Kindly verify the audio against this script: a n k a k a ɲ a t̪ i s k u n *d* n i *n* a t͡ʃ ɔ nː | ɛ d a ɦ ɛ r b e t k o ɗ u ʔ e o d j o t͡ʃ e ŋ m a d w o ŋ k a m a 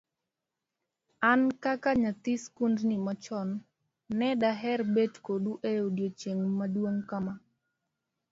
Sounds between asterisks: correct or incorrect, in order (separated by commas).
correct, incorrect